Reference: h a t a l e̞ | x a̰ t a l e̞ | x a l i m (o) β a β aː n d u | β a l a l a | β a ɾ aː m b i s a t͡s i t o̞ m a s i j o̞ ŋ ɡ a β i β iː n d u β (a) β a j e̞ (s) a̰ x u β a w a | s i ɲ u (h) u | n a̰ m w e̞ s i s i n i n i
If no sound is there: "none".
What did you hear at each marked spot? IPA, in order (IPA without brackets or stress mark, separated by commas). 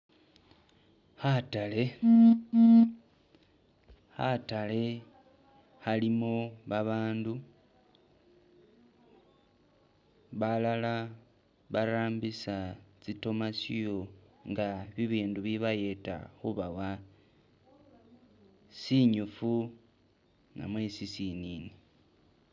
o, i, t, f